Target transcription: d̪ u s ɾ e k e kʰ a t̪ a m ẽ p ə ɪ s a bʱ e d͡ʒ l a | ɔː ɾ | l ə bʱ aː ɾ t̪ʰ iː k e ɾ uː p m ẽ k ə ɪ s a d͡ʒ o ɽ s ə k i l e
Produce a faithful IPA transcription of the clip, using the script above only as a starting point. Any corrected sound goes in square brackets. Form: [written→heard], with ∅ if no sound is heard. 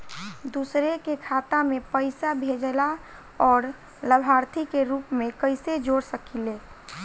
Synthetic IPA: d̪ u s ɾ e k e kʰ a t̪ a m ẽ p ə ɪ s a bʱ e d͡ʒ l a | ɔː ɾ | l ə bʱ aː ɾ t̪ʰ [iː→i] k e ɾ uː p m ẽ k ə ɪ s [a→e] d͡ʒ o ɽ s ə k i l e